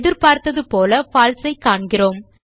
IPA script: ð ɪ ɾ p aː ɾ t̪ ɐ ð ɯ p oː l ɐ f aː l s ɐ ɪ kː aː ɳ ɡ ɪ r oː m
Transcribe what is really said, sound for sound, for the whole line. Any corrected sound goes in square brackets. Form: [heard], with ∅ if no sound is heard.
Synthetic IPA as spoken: ð ɪ ɾ p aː ɾ t̪ ɐ ð ɯ p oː l ɐ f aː l s ɐ ɪ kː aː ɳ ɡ ɪ r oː m